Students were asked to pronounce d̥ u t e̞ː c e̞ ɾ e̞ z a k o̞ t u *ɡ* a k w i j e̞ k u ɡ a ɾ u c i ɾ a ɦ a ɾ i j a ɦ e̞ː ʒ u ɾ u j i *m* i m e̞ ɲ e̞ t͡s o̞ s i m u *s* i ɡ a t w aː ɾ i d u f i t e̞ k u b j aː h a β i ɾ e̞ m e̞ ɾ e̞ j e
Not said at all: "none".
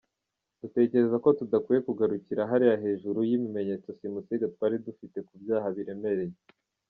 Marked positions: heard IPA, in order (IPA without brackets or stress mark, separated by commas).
d, m, s